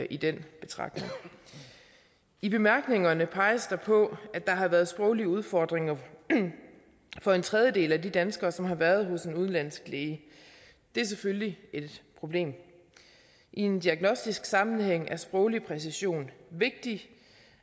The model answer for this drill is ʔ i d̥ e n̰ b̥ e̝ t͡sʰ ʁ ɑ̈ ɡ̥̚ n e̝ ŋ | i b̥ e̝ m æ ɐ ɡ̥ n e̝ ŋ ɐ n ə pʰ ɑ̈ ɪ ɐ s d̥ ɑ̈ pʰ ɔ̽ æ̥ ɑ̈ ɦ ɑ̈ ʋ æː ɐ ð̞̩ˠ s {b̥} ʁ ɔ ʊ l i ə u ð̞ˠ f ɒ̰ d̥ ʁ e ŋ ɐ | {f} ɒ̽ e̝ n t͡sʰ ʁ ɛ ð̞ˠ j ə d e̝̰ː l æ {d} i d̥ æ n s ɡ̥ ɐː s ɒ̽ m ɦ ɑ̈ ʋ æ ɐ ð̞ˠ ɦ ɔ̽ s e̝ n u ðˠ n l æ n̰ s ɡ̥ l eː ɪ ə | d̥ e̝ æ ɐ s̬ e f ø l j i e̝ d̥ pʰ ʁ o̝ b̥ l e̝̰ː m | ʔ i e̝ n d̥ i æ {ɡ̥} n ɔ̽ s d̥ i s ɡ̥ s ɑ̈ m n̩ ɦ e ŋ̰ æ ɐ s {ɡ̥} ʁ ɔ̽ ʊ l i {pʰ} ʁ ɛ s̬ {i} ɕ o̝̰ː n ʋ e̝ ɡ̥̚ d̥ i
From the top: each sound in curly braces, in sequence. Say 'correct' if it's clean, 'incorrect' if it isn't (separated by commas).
correct, correct, correct, correct, incorrect, correct, correct